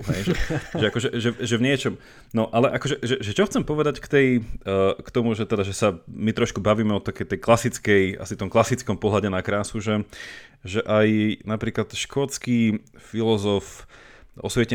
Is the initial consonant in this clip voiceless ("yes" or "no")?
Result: no